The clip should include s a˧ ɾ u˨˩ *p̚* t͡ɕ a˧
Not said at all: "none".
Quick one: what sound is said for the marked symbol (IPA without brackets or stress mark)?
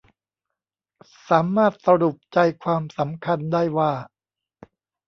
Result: p̚